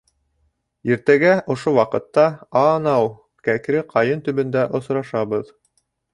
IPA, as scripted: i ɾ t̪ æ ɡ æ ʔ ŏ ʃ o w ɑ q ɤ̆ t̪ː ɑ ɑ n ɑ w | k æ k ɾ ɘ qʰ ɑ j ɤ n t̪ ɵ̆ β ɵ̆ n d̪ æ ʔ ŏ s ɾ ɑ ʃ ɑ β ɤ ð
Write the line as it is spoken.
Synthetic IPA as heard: i ɾ t̪ æ ɡ æ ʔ ŏ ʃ o w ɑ q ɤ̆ t̪ː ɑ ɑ n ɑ w | k æ k ɾ ɘ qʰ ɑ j ɤ n t̪ ɵ̆ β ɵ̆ n d̪ æ ʔ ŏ s ɾ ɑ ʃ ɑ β ɤ ð